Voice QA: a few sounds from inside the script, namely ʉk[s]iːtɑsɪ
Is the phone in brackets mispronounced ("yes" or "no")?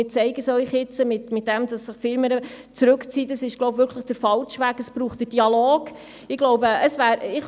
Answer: yes